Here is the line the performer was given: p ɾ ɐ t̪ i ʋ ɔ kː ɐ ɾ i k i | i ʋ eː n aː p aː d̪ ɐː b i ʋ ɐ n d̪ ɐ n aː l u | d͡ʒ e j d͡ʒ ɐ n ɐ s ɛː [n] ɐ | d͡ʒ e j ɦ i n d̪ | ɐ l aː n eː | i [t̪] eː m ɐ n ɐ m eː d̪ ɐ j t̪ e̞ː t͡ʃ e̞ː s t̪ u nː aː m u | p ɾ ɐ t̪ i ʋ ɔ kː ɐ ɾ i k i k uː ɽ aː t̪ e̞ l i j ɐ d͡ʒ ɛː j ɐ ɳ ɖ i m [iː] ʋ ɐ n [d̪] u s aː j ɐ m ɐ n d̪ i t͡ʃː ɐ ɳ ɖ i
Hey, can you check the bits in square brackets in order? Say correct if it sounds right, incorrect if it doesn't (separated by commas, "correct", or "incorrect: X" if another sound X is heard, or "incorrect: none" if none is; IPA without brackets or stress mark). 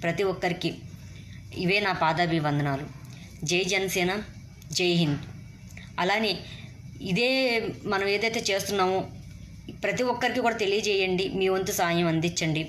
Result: correct, incorrect: d̪, correct, incorrect: t̪